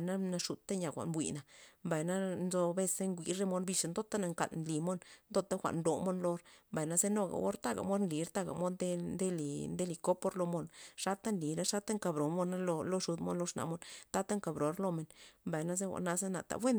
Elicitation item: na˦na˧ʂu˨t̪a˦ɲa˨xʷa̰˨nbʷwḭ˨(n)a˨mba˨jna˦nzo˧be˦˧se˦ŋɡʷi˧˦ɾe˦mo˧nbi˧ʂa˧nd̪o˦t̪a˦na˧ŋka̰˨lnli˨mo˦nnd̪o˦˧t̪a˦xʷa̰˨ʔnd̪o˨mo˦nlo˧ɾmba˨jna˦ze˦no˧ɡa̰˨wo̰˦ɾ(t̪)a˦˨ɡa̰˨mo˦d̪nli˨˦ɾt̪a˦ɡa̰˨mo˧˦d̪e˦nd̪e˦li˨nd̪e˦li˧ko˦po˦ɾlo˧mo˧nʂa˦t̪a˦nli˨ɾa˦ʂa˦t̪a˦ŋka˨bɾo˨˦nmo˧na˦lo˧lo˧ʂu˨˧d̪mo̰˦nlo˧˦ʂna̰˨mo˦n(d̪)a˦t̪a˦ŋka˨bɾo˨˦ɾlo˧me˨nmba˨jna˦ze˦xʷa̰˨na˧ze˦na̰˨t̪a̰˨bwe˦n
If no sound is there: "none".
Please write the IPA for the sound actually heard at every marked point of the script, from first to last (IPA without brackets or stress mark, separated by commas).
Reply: n, t̪, t̪